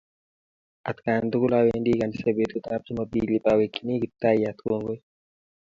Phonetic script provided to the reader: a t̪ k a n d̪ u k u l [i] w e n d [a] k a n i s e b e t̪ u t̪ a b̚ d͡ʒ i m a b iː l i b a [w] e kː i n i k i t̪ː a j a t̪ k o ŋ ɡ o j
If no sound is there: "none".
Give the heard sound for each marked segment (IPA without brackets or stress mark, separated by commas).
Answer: a, i, w